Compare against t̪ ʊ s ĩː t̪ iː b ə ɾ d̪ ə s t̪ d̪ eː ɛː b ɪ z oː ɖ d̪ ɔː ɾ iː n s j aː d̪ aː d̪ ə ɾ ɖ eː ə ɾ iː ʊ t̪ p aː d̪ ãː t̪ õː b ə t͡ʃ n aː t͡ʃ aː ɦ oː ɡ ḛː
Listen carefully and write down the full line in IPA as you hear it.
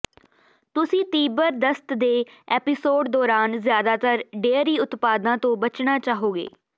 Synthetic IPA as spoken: t̪ ʊ s ĩː t̪ iː b ə ɾ d̪ ə s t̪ d̪ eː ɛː p ɪ s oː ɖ d̪ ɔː ɾ aː n z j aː d̪ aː t̪ ə ɾ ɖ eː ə ɾ iː ʊ t̪ p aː d̪ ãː t̪ õː b ə t͡ʃ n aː t͡ʃ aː ɦ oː ɡ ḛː